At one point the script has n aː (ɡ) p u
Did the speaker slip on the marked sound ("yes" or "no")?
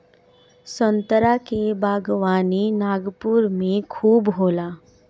no